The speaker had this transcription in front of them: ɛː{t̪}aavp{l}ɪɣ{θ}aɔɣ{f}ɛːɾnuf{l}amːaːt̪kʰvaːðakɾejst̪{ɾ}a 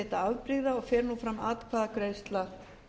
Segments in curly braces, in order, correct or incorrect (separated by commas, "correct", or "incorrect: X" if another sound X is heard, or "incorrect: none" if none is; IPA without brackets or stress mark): correct, incorrect: ɾ, incorrect: ð, correct, incorrect: ɾ, incorrect: l